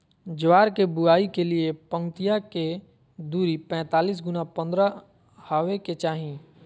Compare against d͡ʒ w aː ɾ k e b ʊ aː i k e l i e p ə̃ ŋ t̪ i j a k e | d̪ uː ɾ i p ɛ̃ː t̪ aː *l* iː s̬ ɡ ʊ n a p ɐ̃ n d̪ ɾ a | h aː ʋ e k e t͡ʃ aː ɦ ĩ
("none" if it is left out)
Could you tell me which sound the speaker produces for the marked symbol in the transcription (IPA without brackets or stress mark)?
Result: l